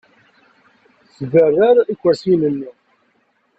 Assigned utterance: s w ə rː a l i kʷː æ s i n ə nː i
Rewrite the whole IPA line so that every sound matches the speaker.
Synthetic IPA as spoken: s v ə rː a ɾ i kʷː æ s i n ə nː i